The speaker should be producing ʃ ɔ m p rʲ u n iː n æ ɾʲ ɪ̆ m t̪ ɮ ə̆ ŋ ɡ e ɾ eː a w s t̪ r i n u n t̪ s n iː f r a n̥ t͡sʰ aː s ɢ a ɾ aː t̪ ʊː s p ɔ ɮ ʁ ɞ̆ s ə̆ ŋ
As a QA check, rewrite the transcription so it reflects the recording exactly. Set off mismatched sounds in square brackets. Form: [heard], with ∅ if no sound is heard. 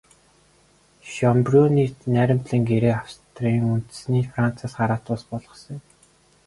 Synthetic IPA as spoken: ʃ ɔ m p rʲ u n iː n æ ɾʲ ɪ̆ m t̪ ɮ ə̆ ŋ ɡ e ɾ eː a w s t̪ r i [ŋ] u n t̪ s n iː f r a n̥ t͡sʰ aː s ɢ a ɾ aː t̪ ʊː s p ɔ ɮ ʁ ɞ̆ s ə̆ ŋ